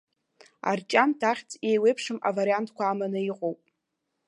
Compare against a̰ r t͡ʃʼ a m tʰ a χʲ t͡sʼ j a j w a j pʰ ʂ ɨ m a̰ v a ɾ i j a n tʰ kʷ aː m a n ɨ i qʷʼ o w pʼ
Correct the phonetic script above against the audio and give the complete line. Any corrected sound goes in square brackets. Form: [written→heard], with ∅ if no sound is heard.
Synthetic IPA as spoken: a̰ r t͡ʃʼ a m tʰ a χʲ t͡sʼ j [a→e] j w [a→e] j pʰ ʂ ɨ m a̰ v a ɾ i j a n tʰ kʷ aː m a n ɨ i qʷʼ o w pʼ